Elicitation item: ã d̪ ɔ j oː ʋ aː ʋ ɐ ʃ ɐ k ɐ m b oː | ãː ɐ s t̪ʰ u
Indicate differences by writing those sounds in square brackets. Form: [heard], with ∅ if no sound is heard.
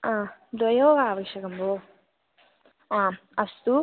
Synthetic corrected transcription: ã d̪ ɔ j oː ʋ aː ʋ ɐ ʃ ɐ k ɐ m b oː | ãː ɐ s [t̪] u